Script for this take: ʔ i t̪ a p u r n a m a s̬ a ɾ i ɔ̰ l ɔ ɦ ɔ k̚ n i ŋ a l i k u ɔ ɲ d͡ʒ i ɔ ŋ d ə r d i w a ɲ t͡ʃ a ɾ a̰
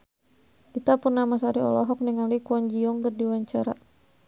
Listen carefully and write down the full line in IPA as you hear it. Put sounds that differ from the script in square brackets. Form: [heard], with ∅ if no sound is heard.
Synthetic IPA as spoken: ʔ i t̪ a p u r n a m a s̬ a ɾ i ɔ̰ l ɔ ɦ ɔ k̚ n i ŋ a l i k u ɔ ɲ d͡ʒ i ɔ ŋ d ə r d i w a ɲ t͡ʃ a ɾ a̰